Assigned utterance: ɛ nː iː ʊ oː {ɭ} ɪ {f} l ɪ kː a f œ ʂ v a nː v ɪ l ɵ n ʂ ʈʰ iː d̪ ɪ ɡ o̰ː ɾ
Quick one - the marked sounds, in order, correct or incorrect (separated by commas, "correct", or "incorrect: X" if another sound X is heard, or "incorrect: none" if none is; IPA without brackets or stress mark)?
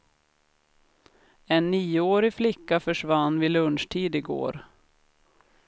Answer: incorrect: ɾ, correct